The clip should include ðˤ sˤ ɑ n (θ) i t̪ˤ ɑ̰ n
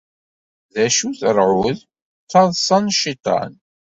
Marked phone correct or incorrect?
incorrect: ʃ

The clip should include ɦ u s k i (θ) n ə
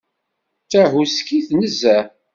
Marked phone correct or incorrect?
correct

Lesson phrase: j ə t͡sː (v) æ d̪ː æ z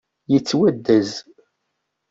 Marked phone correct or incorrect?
incorrect: w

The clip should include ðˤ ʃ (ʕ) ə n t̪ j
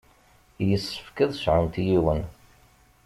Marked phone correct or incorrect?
correct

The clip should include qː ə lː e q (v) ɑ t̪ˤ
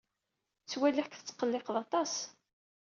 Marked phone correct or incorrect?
incorrect: ð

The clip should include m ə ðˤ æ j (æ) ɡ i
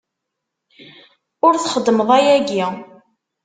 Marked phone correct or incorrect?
correct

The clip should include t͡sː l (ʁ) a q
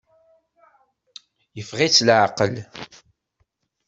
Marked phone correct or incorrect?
incorrect: ʕ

